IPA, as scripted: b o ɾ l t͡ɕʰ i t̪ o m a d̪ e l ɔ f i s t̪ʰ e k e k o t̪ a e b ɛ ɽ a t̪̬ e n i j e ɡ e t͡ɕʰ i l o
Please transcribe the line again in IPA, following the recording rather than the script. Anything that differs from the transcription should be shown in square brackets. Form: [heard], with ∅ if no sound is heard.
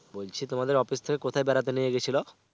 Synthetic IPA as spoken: b o [∅] l t͡ɕʰ i t̪ o m a d̪ e [ɾ] ɔ f i s t̪ʰ e k e k o [t̪ʰ] a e b ɛ [ɾ] a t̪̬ e n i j e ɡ e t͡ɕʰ i l o